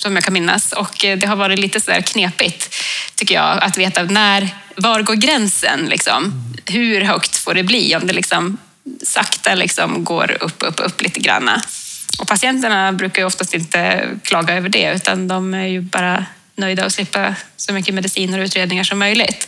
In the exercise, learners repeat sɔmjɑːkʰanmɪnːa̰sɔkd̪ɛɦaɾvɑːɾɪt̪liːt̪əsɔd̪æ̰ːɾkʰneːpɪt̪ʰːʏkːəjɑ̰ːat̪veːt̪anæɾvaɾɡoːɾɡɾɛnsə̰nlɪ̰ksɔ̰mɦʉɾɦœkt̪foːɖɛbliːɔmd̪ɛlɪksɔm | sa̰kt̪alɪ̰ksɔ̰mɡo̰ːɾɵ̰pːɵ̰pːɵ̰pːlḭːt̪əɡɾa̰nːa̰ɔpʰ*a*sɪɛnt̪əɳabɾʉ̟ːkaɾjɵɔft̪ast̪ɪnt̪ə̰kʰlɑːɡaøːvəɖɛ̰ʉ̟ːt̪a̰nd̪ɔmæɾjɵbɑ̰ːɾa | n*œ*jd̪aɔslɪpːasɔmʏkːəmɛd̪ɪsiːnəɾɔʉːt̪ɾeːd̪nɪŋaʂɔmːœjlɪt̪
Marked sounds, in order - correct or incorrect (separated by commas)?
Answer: correct, correct